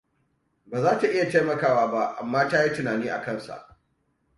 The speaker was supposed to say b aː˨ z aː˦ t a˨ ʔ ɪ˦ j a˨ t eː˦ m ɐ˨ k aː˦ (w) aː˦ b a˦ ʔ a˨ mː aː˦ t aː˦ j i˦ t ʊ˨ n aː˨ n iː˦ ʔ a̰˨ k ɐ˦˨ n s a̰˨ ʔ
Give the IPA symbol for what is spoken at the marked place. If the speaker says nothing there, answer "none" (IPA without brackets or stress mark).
w